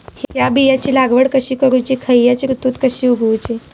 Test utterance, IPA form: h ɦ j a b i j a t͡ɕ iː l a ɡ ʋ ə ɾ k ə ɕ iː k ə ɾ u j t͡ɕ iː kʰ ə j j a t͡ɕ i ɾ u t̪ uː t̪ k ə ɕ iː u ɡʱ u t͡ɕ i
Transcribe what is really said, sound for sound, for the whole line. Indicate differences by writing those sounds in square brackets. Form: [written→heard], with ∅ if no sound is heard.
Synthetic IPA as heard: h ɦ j a b i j a t͡ɕ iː l a ɡ ʋ ə [ɾ→ɽ] k ə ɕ iː k ə ɾ u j t͡ɕ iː kʰ ə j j a t͡ɕ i ɾ u t̪ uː t̪ k ə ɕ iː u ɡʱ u t͡ɕ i

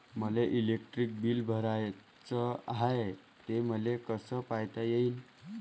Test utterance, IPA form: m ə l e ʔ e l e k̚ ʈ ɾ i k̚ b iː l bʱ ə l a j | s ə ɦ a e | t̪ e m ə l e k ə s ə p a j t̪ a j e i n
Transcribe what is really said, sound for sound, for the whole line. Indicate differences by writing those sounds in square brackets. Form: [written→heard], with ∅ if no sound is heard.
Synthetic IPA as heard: m ə l e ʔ [e→i] l e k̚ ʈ ɾ i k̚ b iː l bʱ ə [l→ɾ] a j | [s→t͡s] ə ɦ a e | t̪ e m ə l e k ə s ə p a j t̪ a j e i n

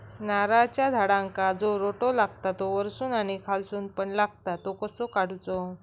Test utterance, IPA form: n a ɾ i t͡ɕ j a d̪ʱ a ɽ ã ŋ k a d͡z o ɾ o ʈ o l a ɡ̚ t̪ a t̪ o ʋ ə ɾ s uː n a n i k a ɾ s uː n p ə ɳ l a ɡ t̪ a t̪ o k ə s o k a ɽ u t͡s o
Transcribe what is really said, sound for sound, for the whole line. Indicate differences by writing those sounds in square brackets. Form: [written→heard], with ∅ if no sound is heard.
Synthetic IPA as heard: n a ɾ [i→a] t͡ɕ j a d̪ʱ a ɽ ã ŋ k a d͡z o ɾ o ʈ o l a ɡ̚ t̪ a t̪ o ʋ ə ɾ s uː n a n i [k→kʰ] a [ɾ→l] s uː n p ə ɳ l a ɡ t̪ a t̪ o k ə s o k a ɽ u t͡s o

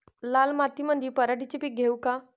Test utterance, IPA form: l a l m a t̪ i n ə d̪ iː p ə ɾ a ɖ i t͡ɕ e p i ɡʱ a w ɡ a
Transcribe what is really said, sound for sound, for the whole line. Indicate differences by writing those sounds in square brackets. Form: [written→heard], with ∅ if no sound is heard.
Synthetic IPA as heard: l a l m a t̪ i [n→m] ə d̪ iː p ə ɾ a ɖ i t͡ɕ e p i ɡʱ [a→e] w [ɡ→k] a

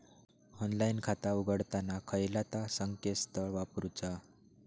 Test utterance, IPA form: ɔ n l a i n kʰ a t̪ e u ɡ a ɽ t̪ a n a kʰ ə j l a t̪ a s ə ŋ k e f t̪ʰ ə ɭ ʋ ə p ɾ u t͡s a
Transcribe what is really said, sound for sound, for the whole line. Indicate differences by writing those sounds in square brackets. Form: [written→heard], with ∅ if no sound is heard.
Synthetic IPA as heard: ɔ n l a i n kʰ a t̪ [e→a] u ɡ [a→ə] ɽ t̪ a n a kʰ ə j l a t̪ a s ə ŋ k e [f→s] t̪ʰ ə ɭ ʋ [ə→a] p ɾ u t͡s a

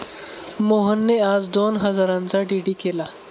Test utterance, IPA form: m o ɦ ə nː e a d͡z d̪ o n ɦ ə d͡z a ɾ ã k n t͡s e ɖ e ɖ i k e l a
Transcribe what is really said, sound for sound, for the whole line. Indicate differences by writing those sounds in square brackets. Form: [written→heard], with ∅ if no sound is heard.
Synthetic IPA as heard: m o ɦ ə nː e a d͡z d̪ o n ɦ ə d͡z a ɾ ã [k→∅] n t͡s [e→a] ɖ [e→i] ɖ i k e l a

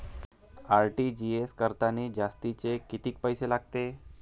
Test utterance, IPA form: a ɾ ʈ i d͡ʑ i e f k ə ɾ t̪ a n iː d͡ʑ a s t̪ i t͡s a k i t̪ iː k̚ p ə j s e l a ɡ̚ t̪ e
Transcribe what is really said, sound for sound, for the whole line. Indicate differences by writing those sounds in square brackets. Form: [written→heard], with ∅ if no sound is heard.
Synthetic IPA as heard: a ɾ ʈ i d͡ʑ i e [f→s] k ə ɾ t̪ a n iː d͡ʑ a s t̪ i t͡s [a→e] k i t̪ iː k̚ p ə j s e l a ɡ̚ t̪ e

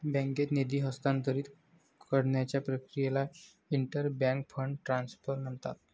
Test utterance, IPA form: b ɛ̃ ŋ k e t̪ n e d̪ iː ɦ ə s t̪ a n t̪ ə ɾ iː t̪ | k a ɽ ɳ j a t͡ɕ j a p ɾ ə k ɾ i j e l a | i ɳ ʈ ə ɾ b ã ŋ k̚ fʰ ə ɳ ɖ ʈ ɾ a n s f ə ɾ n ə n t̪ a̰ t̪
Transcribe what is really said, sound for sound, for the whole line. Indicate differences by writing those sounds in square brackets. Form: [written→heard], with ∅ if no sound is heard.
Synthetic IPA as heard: b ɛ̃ ŋ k e t̪ n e d̪ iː ɦ ə s t̪ a n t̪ ə ɾ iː t̪ | k [a→ə] ɽ ɳ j a t͡ɕ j a p ɾ ə k ɾ i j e l a | i ɳ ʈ ə ɾ b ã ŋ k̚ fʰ ə ɳ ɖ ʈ ɾ a n s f ə ɾ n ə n t̪ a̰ t̪

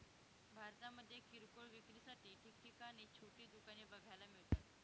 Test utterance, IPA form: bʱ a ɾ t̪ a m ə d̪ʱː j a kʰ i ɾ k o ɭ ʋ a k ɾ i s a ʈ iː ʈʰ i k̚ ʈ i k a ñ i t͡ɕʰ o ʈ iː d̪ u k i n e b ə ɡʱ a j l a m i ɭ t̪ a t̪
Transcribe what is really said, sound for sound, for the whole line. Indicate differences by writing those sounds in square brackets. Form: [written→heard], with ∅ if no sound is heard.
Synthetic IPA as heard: bʱ a ɾ t̪ a m ə d̪ʱː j [a→e] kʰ i ɾ k o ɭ ʋ [a→i] k ɾ i s a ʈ iː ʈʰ i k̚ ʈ i k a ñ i t͡ɕʰ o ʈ iː d̪ u k [i→a] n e b ə ɡʱ a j l a m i ɭ t̪ a t̪

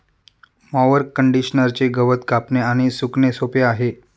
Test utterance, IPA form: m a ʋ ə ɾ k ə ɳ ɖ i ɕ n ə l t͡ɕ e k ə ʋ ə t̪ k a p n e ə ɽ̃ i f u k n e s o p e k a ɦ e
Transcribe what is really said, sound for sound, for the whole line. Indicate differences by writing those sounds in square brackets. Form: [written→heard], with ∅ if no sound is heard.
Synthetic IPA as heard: m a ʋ ə ɾ k ə ɳ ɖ i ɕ n ə [l→ɾ] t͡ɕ e [k→ɡ] ə ʋ ə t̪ k a p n e [ə→a] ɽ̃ i [f→s] u k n e s o p e [k→∅] a ɦ e

